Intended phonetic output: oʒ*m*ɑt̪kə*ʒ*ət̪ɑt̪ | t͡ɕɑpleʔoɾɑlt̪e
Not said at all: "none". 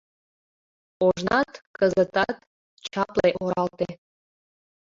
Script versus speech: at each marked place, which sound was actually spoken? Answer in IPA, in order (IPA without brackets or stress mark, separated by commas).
n, z